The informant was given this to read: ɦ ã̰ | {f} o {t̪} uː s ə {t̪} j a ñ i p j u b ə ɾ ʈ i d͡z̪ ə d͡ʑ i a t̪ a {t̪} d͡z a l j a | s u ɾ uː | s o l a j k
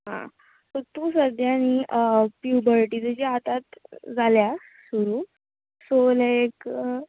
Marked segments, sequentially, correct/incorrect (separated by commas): incorrect, correct, incorrect, correct